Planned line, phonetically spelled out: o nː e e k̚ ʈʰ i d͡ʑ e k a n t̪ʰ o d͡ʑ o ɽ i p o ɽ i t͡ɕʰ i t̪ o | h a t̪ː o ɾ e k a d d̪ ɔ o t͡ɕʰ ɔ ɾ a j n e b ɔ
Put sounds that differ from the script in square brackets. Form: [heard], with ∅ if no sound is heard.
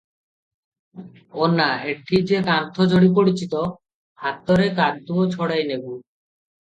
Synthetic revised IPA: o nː [a] e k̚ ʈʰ i d͡ʑ e k a n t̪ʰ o d͡ʑ o ɽ i p o ɽ i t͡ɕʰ i t̪ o | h a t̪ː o ɾ e k a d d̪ [u] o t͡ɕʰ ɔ [ɽ] a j n e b [u]